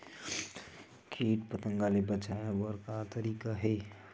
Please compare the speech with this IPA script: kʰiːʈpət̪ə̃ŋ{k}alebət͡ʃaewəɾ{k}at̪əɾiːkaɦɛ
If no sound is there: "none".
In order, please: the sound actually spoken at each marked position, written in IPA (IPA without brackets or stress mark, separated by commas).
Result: ɡ, k